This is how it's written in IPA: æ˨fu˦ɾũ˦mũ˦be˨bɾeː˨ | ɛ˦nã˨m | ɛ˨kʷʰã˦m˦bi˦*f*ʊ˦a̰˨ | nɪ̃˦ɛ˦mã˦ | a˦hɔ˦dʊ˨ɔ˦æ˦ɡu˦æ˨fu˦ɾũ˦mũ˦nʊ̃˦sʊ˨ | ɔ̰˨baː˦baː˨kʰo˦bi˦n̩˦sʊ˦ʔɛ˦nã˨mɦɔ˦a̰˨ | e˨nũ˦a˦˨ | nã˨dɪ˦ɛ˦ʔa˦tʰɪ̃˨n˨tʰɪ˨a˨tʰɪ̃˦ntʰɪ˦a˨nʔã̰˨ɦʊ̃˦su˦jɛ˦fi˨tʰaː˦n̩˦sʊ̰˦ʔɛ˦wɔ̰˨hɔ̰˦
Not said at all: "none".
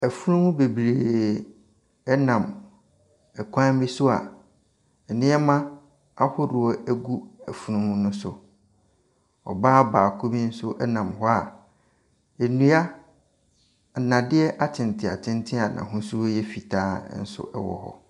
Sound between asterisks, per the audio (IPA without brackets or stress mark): s